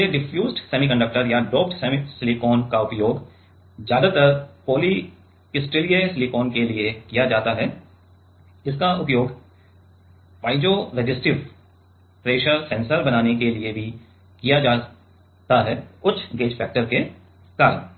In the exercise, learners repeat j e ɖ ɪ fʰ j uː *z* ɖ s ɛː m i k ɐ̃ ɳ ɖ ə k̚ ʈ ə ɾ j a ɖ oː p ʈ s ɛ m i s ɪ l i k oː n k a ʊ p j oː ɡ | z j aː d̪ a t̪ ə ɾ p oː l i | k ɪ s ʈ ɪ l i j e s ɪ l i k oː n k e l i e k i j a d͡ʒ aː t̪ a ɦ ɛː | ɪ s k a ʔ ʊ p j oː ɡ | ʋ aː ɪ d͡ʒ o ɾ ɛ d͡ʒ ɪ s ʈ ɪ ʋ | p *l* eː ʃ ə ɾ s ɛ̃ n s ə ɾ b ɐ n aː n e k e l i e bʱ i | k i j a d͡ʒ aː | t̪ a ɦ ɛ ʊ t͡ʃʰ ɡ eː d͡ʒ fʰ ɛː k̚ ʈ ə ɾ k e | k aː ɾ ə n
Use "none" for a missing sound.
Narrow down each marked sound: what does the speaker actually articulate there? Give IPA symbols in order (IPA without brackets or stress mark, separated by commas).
z, ɾ